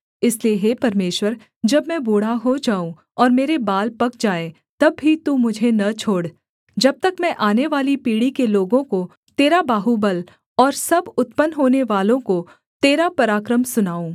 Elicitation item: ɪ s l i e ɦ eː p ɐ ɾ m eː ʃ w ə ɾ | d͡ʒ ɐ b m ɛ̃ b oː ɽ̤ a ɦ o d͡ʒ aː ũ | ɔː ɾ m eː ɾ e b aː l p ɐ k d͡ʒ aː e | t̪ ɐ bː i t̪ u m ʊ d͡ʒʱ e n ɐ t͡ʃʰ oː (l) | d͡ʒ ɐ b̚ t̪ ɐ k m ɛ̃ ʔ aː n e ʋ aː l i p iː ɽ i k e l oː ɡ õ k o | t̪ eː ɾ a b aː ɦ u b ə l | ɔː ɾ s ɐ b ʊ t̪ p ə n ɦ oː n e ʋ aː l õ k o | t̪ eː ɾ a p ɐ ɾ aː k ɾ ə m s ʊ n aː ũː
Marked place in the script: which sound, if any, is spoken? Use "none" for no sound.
ɽ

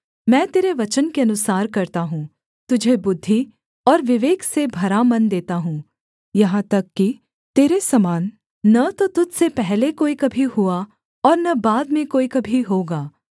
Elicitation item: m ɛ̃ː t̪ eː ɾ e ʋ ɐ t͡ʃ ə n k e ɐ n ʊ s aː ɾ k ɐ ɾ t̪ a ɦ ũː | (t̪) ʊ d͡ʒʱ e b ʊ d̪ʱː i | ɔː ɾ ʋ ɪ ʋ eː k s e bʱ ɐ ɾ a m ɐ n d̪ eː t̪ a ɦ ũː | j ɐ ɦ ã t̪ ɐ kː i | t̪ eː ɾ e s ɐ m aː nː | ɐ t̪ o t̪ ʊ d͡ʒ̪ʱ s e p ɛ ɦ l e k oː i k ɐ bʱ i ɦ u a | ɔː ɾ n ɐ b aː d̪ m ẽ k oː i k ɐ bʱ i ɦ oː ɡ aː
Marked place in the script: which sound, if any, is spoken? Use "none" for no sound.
t̪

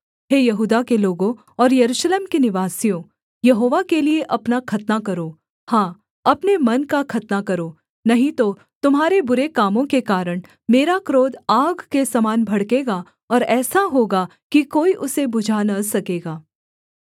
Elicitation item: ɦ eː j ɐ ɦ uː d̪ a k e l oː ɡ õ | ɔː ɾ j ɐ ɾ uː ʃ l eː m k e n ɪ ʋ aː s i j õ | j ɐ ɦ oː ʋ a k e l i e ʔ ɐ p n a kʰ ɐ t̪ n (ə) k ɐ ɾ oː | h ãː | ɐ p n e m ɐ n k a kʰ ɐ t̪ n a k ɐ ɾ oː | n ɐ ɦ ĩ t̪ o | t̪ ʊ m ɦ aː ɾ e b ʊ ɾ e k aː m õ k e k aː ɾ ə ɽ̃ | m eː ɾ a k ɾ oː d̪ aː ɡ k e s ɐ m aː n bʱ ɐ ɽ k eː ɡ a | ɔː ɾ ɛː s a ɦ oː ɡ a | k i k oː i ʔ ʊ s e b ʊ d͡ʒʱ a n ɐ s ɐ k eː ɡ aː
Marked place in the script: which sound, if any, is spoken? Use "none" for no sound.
a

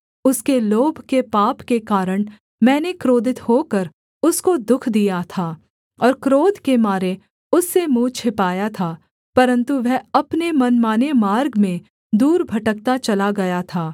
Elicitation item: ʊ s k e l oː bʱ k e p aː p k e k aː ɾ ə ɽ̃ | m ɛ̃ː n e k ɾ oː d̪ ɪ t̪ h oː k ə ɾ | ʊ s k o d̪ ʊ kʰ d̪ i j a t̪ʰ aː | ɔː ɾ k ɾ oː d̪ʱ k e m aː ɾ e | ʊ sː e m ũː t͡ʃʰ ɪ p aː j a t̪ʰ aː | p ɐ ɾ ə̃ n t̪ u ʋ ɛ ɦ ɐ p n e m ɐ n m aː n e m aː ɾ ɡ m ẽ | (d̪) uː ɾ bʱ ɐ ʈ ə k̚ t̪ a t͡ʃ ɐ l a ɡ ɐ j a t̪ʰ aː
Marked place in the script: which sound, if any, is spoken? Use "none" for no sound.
d̪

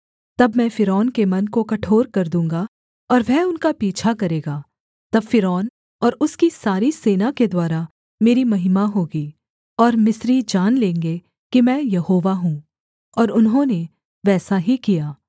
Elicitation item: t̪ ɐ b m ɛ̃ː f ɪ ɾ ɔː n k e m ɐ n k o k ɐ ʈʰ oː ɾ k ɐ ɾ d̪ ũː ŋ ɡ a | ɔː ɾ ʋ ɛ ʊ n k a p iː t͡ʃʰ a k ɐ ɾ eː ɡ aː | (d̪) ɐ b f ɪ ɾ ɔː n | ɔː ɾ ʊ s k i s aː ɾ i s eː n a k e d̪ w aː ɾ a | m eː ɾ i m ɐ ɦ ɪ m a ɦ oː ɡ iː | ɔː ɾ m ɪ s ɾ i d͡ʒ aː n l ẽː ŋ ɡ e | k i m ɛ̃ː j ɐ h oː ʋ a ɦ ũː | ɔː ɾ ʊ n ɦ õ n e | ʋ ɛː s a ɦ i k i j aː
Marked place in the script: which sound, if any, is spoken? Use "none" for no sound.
t̪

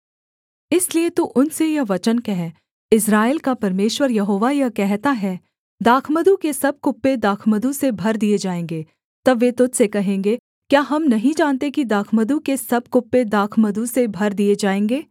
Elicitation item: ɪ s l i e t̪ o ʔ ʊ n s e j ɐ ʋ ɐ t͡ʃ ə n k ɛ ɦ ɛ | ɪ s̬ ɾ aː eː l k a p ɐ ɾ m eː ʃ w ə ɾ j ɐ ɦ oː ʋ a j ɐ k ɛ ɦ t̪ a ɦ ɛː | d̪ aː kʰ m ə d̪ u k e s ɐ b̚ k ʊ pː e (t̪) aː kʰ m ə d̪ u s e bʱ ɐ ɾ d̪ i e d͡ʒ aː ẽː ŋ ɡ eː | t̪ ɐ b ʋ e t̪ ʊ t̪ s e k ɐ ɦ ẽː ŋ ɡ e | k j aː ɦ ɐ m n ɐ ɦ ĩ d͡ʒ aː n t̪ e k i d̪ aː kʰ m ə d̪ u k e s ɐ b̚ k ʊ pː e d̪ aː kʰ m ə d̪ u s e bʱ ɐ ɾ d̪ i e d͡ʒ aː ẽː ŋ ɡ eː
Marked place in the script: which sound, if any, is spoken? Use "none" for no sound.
d̪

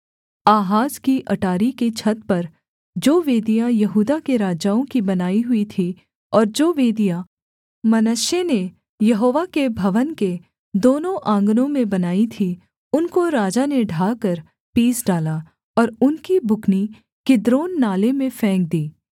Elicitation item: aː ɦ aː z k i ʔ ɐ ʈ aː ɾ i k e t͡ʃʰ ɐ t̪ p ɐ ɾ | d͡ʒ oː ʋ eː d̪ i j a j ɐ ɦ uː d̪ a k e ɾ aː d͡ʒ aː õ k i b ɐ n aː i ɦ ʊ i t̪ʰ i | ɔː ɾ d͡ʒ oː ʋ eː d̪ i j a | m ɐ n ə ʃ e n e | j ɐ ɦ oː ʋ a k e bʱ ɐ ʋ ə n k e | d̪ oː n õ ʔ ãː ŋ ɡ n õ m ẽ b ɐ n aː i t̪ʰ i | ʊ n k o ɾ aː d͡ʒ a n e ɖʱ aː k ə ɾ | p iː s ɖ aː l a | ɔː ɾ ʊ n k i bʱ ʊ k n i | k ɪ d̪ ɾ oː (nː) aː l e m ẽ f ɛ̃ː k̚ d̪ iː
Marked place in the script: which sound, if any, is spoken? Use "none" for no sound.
nː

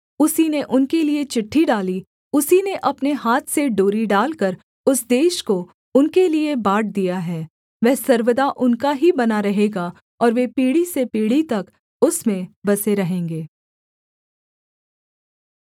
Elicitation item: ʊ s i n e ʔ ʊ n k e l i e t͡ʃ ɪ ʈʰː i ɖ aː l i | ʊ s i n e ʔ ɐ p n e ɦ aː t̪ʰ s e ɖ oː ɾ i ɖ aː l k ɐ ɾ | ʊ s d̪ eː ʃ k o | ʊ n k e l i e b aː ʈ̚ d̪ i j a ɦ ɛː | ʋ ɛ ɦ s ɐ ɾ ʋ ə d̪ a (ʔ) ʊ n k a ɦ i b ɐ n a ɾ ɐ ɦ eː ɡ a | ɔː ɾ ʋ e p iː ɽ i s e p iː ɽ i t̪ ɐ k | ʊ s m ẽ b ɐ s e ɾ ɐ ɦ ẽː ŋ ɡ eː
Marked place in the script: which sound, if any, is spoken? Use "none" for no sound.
ʔ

